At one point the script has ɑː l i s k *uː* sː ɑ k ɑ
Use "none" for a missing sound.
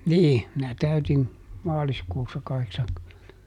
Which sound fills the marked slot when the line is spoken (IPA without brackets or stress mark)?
uː